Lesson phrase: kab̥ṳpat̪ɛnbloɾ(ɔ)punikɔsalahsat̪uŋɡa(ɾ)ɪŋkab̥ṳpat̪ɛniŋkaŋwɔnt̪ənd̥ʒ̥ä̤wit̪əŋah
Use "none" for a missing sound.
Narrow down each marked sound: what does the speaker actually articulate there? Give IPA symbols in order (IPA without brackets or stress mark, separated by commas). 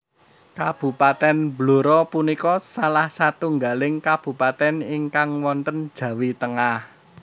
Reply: ɔ, l